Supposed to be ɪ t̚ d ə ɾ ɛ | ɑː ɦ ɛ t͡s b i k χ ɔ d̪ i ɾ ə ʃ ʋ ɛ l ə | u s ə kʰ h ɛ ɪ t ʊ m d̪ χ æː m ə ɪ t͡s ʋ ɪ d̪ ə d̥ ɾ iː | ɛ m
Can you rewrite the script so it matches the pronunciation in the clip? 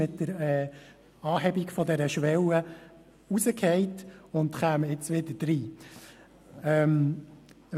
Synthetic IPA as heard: ɪ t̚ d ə ɾ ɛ | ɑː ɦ ɛ b i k f ɔ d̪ ɛ ɾ ə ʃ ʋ ɛ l ə | u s ə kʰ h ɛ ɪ t ʊ n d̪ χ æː m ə ɪ t͡s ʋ ɪ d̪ ə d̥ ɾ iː | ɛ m